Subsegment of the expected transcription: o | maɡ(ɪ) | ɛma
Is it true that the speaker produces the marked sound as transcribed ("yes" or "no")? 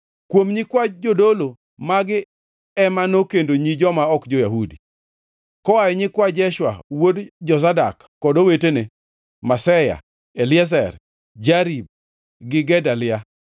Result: yes